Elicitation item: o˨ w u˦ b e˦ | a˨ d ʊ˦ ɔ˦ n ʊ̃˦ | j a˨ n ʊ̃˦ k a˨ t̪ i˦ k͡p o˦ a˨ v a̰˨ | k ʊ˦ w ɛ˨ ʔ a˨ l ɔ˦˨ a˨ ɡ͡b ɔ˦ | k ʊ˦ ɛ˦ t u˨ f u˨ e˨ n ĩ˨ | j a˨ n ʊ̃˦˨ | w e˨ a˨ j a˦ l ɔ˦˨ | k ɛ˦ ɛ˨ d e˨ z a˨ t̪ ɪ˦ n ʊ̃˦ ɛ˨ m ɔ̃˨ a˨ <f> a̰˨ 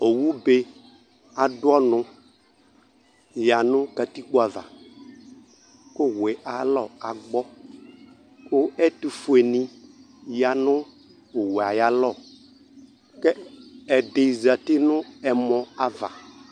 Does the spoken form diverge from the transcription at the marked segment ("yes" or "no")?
yes